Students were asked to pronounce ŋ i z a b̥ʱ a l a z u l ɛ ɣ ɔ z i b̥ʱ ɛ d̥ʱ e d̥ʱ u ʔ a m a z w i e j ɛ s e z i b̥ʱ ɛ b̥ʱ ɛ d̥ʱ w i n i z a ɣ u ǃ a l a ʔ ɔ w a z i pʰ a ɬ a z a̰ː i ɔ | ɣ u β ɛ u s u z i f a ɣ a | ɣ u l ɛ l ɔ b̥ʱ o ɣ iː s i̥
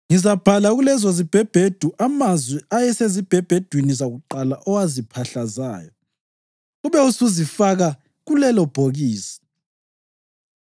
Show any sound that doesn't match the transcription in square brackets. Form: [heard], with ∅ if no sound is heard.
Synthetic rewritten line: ŋ i z a b̥ʱ a l a [ɣ] u l ɛ [z] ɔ z i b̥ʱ ɛ [b̥ʱ] e d̥ʱ u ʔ a m a z w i [a] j ɛ s e z i b̥ʱ ɛ b̥ʱ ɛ d̥ʱ w i n i z a ɣ u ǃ a l a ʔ ɔ w a z i pʰ a ɬ a z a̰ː [j] ɔ | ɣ u β ɛ u s u z i f a ɣ a | ɣ u l ɛ l ɔ b̥ʱ o ɣ iː s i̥